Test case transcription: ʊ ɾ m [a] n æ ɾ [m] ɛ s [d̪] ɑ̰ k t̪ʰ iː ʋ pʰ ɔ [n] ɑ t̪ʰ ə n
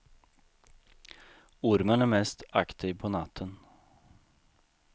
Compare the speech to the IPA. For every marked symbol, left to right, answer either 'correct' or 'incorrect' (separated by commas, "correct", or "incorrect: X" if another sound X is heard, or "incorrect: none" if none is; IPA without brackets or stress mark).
incorrect: ə, correct, incorrect: t̪, correct